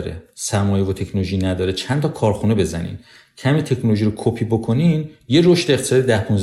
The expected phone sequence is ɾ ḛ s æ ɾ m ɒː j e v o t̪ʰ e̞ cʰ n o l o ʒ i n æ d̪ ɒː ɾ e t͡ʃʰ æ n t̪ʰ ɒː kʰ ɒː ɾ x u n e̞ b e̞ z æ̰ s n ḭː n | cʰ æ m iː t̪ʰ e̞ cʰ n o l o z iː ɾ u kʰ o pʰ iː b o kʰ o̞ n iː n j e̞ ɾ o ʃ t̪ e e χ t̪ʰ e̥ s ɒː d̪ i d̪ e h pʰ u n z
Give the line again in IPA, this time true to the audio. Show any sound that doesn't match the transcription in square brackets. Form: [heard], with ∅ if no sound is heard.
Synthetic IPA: ɾ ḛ s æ ɾ m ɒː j e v o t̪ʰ e̞ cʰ n o l o ʒ i n æ d̪ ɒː ɾ e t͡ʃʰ æ n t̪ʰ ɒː kʰ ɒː ɾ x u n e̞ b e̞ z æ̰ [∅] n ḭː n | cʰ æ m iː t̪ʰ e̞ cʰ n o l o [ʒ] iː ɾ [o] kʰ o pʰ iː b o kʰ o̞ n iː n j e̞ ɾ o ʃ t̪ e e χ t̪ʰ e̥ s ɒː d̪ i d̪ [æ] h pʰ u n z